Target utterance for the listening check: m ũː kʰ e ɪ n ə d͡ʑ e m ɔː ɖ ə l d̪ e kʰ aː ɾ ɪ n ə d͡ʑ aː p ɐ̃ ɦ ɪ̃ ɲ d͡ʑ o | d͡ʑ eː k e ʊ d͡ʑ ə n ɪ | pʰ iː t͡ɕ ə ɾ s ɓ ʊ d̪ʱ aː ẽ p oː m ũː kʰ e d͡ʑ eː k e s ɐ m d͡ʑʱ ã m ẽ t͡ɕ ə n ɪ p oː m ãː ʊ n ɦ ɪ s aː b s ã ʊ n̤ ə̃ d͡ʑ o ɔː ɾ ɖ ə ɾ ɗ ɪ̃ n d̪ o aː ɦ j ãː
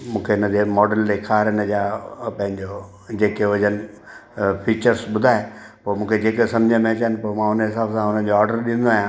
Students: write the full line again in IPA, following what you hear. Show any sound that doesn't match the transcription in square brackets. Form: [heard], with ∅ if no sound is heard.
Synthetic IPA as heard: m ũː kʰ e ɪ n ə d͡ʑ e m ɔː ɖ ə l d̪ e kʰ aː ɾ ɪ n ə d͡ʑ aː p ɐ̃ ɦ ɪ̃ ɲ d͡ʑ o | d͡ʑ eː k e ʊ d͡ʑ ə n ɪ | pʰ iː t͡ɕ ə ɾ s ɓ ʊ d̪ʱ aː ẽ p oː m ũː kʰ e d͡ʑ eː k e s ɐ m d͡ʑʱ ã m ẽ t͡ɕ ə n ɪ p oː m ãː ʊ n ɦ ɪ s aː b s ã ʊ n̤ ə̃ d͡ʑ o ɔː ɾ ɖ ə ɾ ɗ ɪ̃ n d̪ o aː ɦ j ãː